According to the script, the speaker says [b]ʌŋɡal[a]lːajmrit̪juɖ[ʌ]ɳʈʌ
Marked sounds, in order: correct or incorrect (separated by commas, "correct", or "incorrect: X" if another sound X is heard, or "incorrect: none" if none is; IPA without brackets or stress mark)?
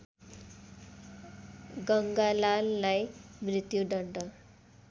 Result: incorrect: ɡ, correct, correct